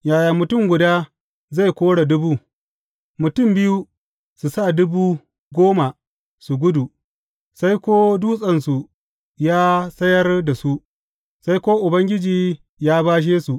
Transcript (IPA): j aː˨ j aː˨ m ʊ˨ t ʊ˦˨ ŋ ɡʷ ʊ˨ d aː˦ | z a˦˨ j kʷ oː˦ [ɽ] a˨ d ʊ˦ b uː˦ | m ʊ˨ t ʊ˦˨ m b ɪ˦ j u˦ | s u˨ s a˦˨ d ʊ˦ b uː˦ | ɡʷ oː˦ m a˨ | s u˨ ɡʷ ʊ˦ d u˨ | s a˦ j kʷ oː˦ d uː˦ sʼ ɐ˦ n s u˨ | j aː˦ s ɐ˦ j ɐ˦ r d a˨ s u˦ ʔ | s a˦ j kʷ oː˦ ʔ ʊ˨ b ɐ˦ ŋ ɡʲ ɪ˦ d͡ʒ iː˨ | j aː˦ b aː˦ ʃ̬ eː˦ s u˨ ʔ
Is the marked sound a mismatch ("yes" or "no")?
no